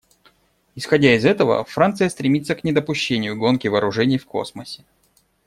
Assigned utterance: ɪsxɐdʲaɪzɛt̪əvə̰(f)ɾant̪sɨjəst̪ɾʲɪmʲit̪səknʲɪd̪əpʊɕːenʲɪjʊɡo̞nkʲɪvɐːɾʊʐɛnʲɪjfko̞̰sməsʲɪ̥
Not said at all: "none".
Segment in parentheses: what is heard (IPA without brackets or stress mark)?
f